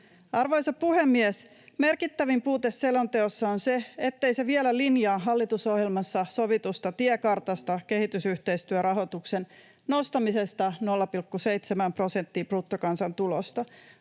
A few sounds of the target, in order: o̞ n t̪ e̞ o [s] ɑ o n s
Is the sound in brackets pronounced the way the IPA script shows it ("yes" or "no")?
no